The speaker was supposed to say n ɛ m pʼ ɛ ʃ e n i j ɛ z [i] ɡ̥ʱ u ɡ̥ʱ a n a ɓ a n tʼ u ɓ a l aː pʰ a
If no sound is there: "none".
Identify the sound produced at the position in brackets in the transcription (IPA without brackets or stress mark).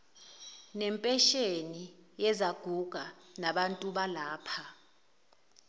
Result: a